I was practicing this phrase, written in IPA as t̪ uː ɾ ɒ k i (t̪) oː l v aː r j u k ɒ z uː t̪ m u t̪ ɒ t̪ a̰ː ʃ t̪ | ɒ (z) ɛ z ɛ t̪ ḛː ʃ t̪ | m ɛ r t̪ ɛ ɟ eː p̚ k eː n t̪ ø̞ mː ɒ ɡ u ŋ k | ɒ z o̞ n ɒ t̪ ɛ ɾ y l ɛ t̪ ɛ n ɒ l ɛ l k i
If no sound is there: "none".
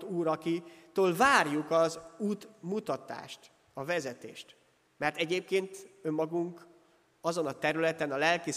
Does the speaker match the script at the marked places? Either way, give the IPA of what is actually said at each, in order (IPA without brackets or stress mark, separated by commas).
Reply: t̪, v